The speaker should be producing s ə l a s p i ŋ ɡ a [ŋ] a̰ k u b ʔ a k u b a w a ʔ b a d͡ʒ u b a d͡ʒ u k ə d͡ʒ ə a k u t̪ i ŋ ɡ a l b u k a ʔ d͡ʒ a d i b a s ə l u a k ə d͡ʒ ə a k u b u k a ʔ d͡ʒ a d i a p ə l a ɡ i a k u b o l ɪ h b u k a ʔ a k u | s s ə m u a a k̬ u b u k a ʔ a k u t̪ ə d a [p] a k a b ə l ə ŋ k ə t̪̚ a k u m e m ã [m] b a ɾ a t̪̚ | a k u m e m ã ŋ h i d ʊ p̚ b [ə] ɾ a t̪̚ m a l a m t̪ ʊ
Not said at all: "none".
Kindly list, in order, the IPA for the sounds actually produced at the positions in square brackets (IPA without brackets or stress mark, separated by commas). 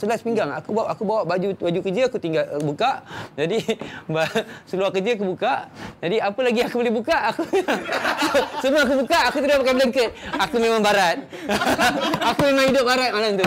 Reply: ŋ, p, ŋ, a